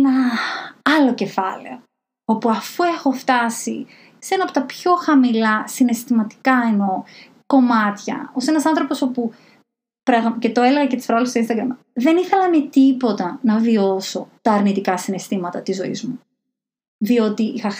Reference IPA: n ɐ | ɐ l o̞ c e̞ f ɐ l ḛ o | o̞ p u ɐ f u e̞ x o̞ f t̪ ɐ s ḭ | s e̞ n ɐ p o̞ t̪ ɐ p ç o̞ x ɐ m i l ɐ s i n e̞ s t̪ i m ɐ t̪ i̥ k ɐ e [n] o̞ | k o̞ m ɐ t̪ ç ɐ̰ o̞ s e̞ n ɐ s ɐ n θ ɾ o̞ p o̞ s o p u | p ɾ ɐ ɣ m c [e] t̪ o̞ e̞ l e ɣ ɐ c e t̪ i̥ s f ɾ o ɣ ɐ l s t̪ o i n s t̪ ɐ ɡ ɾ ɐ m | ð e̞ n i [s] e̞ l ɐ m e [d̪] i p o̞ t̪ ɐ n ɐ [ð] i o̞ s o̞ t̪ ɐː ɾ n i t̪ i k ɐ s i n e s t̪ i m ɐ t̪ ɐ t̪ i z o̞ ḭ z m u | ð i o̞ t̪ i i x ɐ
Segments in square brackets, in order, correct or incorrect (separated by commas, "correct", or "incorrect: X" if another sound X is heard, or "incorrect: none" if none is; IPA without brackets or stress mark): correct, correct, incorrect: θ, incorrect: t̪, incorrect: v